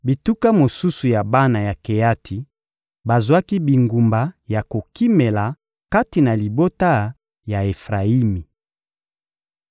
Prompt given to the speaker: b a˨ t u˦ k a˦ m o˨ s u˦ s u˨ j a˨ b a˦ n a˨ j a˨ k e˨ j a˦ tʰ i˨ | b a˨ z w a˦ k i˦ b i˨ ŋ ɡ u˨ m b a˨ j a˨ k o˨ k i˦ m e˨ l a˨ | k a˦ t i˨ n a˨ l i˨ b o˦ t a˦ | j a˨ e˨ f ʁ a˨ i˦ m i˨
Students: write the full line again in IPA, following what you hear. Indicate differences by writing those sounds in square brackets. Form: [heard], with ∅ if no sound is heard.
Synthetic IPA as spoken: b [i˨] t u˦ k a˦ m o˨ s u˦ s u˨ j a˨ b a˦ n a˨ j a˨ k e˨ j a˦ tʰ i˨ | b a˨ z w a˦ k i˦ b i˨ ŋ ɡ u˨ m b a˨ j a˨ k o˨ k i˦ m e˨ l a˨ | k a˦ t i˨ n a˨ l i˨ b o˦ t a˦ | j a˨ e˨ f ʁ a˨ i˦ m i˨